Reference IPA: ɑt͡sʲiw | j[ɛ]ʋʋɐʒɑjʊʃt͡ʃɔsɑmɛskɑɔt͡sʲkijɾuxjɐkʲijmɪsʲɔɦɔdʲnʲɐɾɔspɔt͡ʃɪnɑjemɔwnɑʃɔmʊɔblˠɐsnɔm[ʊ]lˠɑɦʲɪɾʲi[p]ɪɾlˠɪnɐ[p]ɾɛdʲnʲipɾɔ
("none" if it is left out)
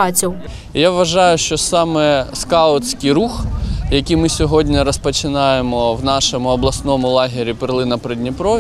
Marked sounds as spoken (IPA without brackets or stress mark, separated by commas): a, ʊ, p, p